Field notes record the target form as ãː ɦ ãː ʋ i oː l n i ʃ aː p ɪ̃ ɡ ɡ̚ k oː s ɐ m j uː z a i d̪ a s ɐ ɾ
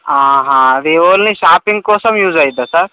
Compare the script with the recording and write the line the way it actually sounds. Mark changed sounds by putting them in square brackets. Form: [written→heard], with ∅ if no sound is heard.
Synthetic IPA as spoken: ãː ɦ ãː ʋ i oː l n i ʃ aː p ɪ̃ [ɡ→ŋ] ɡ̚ k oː s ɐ m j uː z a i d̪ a s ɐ ɾ